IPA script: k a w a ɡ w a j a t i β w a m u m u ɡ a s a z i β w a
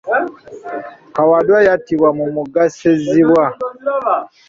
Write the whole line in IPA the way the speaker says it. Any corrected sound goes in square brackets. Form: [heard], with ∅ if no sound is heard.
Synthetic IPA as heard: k a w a [d] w a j a t i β w a m u m u ɡ a s [e] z i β w a